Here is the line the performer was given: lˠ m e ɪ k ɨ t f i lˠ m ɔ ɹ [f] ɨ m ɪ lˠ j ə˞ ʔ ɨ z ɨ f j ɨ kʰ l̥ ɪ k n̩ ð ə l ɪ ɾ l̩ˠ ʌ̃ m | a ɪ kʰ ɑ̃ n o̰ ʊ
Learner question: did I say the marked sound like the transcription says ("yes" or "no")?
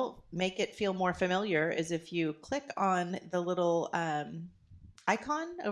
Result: yes